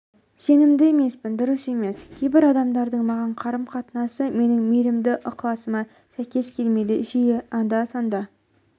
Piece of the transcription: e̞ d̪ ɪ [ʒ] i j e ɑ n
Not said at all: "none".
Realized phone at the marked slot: ʒ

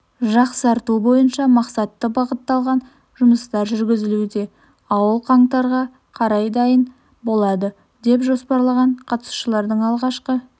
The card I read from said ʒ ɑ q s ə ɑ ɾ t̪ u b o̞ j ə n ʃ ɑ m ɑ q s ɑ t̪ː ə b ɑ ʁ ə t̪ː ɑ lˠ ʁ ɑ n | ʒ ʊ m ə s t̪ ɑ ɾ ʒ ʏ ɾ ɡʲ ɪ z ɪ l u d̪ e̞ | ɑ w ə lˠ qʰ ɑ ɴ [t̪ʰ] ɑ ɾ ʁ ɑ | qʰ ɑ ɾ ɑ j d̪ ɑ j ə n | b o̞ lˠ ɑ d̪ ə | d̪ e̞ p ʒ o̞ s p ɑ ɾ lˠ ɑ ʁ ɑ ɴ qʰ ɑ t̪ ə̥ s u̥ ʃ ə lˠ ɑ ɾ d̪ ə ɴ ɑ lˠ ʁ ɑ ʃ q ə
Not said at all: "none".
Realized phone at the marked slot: t̪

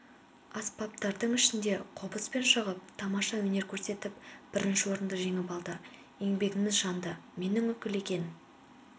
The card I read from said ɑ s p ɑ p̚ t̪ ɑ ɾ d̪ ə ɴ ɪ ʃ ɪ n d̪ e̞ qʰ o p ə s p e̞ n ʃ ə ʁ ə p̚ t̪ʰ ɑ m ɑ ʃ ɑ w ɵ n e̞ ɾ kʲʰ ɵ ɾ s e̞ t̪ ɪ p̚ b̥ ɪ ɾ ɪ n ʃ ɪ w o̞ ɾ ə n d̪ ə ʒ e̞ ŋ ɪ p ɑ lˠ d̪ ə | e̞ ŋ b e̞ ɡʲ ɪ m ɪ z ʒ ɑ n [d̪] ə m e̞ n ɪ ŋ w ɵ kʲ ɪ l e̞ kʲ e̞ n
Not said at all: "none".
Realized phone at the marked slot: d̪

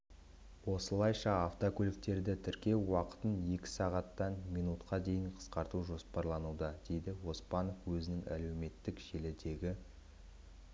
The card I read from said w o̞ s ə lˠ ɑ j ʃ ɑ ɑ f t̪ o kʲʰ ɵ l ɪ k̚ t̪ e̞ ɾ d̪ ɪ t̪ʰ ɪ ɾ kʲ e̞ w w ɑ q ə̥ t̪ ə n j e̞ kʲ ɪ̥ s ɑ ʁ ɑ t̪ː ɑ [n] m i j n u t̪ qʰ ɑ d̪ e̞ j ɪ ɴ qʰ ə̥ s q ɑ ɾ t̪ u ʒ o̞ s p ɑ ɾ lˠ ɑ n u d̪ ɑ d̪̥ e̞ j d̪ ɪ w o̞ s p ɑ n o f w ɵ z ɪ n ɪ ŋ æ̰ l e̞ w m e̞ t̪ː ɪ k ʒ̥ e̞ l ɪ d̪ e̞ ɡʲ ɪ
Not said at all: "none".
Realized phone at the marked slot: n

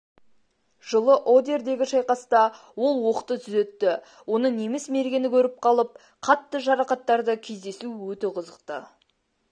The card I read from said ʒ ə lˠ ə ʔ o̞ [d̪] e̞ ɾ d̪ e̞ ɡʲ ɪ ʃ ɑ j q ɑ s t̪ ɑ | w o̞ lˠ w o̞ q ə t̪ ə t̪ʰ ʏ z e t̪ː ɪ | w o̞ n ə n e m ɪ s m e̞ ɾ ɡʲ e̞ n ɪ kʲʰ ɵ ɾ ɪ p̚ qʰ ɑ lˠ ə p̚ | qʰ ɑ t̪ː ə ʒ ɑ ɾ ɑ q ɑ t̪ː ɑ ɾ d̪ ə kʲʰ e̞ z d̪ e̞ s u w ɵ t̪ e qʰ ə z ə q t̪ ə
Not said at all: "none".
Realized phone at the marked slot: d̪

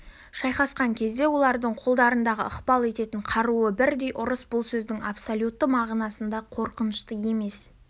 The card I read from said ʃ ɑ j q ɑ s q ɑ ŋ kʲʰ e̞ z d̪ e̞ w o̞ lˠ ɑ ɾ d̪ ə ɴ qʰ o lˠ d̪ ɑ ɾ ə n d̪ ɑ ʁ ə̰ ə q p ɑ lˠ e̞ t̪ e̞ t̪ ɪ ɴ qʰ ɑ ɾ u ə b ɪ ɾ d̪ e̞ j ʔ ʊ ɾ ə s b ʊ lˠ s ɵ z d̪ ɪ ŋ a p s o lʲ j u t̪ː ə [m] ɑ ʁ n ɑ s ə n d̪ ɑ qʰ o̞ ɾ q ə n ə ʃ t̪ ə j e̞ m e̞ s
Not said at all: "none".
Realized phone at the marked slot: m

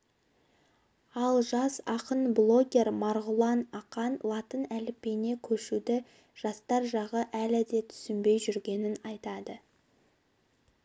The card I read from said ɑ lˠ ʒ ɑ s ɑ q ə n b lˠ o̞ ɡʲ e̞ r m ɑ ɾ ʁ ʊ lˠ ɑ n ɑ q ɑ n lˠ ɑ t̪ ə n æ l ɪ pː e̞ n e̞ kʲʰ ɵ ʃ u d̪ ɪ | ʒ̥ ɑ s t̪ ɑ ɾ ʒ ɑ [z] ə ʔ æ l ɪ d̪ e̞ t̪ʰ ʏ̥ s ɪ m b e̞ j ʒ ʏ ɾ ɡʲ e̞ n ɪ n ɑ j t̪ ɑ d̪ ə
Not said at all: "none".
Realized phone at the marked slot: ʁ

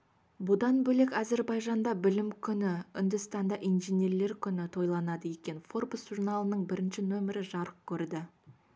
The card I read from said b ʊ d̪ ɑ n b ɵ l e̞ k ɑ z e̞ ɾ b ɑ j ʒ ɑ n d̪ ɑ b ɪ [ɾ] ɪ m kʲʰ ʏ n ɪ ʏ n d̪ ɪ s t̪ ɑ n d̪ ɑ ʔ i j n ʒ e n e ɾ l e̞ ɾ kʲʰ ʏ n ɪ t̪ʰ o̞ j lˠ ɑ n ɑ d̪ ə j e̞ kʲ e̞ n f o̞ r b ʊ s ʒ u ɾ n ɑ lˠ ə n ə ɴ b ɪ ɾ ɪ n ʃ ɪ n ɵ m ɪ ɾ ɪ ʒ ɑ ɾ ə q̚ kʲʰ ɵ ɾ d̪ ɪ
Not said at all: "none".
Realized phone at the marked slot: l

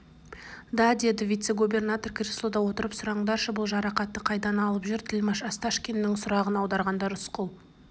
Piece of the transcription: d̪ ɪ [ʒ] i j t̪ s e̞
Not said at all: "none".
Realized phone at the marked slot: v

